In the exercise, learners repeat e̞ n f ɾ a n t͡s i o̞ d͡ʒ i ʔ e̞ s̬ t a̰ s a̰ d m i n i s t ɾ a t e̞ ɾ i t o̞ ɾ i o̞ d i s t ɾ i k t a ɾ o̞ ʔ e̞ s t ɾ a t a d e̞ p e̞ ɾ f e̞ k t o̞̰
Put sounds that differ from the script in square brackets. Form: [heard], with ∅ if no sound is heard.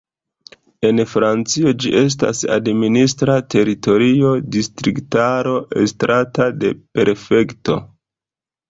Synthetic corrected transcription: e̞ n f ɾ a n t͡s i o̞ d͡ʒ i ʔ e̞ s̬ t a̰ s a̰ d m i n i s t ɾ a t e̞ ɾ i t o̞ ɾ i o̞ d i s t ɾ i k t a ɾ o̞ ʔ e̞ s t ɾ a t a d e̞ p e̞ ɾ f e̞ k t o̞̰